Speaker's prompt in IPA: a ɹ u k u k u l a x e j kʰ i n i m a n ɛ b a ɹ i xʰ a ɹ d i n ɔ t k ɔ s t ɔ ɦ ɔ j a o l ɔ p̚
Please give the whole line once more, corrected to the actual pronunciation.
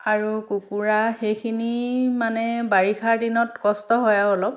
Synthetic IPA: a ɹ u k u k u ɹ a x e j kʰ i n i m a n ɛ b a ɹ i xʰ a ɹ d i n ɔ t k ɔ s t ɔ ɦ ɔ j a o l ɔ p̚